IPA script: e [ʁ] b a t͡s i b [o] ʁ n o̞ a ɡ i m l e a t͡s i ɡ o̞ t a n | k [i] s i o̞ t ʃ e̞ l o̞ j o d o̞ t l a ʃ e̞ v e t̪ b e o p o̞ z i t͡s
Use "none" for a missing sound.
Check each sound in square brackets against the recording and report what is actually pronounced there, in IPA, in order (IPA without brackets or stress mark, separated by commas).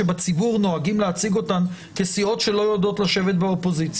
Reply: none, u, e